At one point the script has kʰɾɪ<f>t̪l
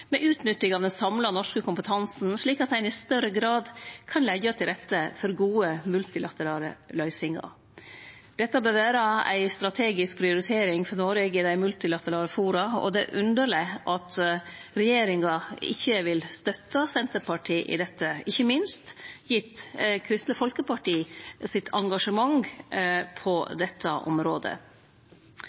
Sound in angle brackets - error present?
yes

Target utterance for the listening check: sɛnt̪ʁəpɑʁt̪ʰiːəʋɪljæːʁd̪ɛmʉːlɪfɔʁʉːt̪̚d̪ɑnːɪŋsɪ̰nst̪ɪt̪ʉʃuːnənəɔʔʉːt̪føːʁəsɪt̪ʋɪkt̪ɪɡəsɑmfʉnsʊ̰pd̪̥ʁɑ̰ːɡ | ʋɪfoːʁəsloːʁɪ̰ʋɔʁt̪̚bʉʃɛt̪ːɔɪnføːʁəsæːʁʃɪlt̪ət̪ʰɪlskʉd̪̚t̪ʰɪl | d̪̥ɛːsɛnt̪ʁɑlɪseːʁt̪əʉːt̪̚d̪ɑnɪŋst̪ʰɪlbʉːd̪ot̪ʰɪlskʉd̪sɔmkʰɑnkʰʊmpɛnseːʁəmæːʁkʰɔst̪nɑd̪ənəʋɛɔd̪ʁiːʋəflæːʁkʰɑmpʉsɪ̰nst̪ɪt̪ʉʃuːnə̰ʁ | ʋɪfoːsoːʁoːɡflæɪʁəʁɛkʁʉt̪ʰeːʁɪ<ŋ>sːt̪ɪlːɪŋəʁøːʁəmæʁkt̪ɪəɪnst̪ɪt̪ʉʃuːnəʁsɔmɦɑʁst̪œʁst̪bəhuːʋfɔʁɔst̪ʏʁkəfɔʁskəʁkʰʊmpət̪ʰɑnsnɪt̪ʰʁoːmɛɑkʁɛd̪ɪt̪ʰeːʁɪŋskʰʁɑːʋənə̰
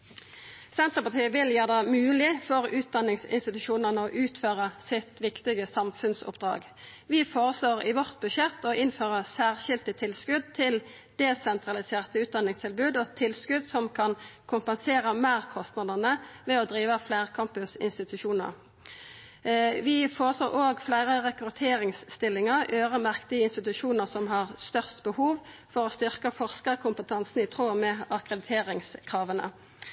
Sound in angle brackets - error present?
no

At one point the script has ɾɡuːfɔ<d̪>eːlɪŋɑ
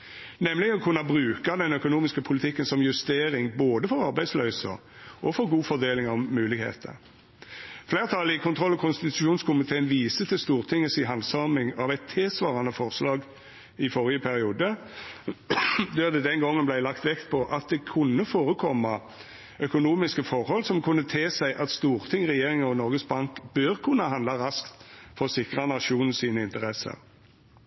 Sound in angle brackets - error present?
no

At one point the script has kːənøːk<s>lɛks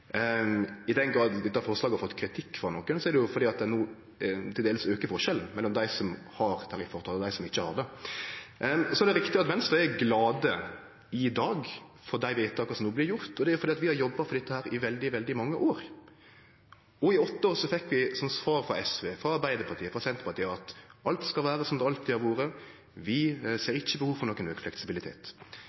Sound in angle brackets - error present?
yes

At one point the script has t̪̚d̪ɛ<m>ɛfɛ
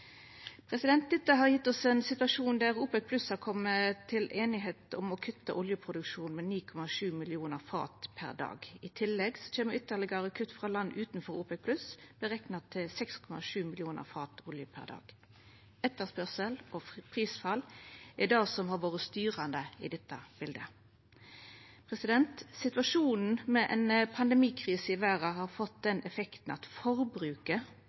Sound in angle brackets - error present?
yes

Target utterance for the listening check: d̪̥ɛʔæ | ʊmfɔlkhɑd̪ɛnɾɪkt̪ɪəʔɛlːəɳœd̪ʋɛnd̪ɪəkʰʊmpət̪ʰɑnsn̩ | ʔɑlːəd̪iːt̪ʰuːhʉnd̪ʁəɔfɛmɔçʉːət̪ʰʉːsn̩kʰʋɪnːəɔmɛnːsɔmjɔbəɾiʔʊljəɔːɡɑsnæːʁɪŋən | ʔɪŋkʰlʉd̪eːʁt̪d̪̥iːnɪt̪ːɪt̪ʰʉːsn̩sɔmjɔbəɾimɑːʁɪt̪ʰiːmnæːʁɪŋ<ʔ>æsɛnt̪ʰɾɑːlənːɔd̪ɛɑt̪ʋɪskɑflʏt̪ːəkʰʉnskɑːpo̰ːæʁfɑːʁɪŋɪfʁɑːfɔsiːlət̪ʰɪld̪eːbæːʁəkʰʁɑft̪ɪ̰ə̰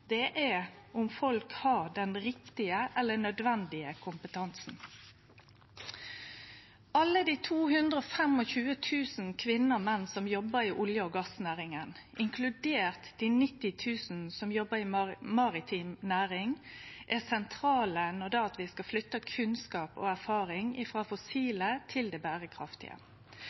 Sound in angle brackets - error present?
no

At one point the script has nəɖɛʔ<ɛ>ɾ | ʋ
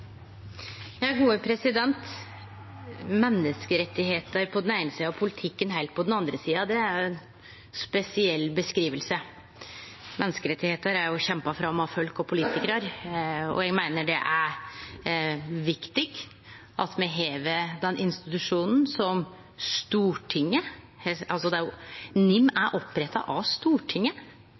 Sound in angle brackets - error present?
yes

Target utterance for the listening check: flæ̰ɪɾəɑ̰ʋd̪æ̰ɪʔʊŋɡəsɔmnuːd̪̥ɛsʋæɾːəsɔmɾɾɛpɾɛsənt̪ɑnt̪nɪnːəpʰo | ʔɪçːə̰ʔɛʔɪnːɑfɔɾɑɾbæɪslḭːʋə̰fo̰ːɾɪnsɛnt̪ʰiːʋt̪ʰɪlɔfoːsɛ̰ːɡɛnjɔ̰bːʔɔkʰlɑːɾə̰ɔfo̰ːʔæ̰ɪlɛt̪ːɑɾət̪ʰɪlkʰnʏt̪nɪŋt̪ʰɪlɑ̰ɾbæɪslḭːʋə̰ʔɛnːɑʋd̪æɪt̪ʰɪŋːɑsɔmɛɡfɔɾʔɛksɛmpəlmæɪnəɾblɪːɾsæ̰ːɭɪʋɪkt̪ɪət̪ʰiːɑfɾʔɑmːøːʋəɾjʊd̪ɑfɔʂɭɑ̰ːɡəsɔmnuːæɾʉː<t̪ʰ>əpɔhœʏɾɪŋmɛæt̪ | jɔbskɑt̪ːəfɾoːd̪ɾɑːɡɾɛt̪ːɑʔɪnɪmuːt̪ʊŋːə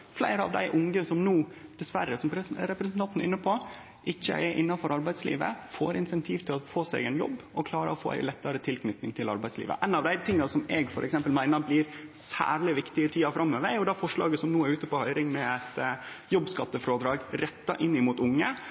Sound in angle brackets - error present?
yes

